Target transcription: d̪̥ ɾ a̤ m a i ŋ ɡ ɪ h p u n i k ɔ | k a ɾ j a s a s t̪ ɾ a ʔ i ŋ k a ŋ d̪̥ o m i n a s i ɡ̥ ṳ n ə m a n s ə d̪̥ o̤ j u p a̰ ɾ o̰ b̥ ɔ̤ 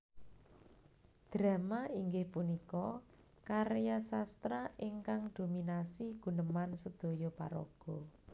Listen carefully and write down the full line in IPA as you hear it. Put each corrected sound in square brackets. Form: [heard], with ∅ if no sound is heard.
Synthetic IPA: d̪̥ ɾ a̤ m a i ŋ ɡ ɪ h p u n i k ɔ | k a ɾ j a s a s t̪ ɾ a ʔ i ŋ k a ŋ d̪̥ o m i n a s i ɡ̥ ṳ n ə m a n s ə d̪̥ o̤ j [ɔ] p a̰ ɾ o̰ [ɡ̥] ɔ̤

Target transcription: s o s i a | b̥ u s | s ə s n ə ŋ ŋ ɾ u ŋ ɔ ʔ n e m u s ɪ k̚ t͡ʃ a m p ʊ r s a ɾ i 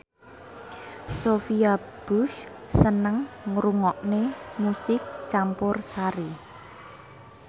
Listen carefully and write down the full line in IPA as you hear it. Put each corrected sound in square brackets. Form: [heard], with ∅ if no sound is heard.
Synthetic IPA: s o [f] i a | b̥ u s | s ə [∅] n ə ŋ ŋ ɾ u ŋ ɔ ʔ n e m u s ɪ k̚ t͡ʃ a m p ʊ r s a ɾ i

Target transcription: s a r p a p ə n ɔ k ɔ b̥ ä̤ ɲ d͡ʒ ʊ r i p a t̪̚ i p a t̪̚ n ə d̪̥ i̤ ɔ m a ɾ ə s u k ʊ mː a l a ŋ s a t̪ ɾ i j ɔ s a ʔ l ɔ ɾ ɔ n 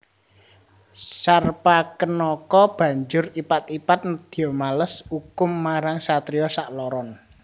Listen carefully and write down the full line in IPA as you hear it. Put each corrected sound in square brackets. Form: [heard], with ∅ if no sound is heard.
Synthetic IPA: s a r p a [k] ə n ɔ k ɔ b̥ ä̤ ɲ d͡ʒ ʊ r i p a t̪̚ i p a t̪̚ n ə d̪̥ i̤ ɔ m a [l] ə s u k ʊ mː a [ɾ] a ŋ s a t̪ ɾ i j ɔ s a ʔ l ɔ ɾ ɔ n

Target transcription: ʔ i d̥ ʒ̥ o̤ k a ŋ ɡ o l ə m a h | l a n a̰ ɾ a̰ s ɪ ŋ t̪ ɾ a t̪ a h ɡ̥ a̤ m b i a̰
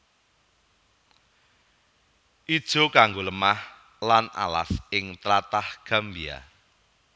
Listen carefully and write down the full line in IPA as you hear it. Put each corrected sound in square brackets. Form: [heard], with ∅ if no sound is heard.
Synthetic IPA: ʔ i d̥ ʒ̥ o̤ k a ŋ ɡ o l ə m a h | l a n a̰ [l] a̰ s ɪ ŋ t̪ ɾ a t̪ a h ɡ̥ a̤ m b i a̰

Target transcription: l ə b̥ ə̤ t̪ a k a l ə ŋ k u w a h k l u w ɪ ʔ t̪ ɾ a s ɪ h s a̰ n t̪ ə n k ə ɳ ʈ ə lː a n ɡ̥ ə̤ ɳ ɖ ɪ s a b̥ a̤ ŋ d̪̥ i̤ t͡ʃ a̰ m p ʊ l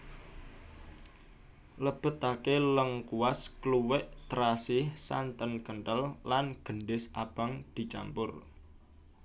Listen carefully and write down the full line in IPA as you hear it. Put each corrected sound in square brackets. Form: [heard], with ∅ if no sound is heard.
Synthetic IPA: l ə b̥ ə̤ t̪ a k [e] l ə ŋ k u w a [s] k l u w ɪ ʔ t̪ ɾ a s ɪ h s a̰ n t̪ ə n k ə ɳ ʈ ə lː a n ɡ̥ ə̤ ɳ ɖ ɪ s a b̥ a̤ ŋ d̪̥ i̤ t͡ʃ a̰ m p ʊ [r]

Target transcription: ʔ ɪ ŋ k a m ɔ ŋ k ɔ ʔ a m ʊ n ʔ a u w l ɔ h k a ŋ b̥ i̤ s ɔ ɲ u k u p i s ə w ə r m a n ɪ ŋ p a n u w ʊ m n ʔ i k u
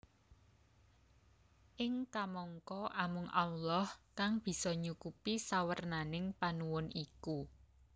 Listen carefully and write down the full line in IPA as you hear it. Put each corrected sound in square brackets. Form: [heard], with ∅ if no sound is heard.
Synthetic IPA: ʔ ɪ ŋ k a m ɔ ŋ k ɔ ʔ a m ʊ [ŋ] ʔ a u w l ɔ h k a ŋ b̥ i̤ s ɔ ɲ u k u p i s [a] w ə r [n] a n ɪ ŋ p a n u w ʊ [∅] n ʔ i k u

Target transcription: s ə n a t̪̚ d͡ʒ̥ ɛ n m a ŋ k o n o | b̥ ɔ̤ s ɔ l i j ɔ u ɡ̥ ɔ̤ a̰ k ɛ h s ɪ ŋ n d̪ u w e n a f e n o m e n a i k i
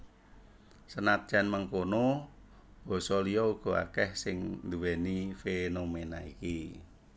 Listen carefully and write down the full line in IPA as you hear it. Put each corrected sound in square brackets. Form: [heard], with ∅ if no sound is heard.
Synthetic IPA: s ə n a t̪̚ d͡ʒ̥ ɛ n m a ŋ k o n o | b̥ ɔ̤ s ɔ l i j ɔ u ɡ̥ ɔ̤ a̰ k ɛ h s ɪ ŋ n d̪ u w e n [i] f e n o m e n a i k i

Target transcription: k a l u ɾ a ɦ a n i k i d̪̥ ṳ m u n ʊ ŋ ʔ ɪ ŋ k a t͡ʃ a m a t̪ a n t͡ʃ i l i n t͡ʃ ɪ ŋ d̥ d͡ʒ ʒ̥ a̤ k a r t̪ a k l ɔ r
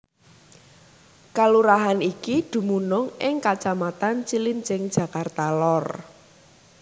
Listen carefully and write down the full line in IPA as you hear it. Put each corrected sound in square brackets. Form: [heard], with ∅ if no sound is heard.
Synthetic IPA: k a l u ɾ a ɦ a n i k i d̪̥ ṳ m u n ʊ ŋ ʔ ɪ ŋ k a t͡ʃ a m a t̪ a n t͡ʃ i l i n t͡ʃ ɪ ŋ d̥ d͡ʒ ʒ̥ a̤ k a r t̪ a [∅] l ɔ r

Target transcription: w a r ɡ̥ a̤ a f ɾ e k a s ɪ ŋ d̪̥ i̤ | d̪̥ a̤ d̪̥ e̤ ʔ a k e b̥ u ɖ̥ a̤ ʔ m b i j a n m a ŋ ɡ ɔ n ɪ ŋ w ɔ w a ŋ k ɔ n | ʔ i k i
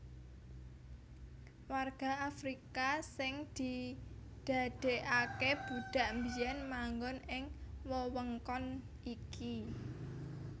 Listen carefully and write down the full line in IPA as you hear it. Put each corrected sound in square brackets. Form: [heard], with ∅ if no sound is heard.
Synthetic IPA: w a r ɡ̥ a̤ a f ɾ [i] k a s ɪ ŋ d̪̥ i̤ | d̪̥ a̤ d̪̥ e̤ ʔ a k e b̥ u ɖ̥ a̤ ʔ m b i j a n m a ŋ ɡ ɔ n ɪ ŋ w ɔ w [ə] ŋ k ɔ n | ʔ i k i

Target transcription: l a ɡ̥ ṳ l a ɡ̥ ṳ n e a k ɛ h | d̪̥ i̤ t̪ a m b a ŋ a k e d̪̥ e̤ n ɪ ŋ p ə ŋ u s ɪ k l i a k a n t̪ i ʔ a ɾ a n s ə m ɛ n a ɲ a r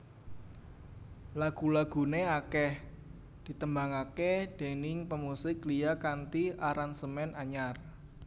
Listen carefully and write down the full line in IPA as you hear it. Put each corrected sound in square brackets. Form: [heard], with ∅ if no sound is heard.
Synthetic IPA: l a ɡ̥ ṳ l a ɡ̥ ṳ n e a k ɛ h | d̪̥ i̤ t̪ [ə] m b a ŋ a k e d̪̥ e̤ n ɪ ŋ p ə [m] u s ɪ k l i a k a n t̪ i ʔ a ɾ a n s ə m ɛ n a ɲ a r

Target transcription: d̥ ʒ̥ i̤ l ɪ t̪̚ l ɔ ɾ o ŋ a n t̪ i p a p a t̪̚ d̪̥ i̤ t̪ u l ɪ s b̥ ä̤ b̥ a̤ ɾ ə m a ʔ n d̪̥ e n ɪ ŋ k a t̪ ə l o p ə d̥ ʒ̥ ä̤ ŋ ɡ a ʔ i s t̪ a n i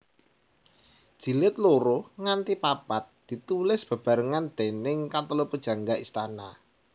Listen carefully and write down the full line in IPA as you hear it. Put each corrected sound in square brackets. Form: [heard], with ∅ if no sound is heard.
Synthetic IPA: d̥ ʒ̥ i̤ l ɪ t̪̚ l [o] ɾ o ŋ a n t̪ i p a p a t̪̚ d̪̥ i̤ t̪ u l ɪ s b̥ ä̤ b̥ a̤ ɾ ə [ŋ] a [∅] n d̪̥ e n ɪ ŋ k a t̪ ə l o p ə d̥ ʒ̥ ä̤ ŋ ɡ a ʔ i s t̪ a n [a]

